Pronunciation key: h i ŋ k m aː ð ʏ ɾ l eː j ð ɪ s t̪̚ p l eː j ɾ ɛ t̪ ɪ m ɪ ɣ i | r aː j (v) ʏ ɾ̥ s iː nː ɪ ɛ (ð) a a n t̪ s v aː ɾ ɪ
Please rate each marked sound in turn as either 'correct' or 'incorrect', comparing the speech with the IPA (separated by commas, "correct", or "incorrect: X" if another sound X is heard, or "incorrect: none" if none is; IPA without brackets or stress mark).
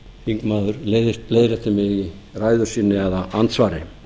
incorrect: ð, correct